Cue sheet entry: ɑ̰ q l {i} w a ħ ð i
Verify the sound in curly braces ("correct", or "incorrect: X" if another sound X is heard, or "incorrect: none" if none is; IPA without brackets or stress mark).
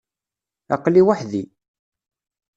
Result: correct